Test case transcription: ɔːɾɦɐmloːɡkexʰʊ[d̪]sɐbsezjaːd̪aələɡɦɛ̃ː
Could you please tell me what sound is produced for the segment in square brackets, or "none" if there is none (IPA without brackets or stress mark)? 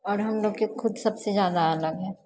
d̪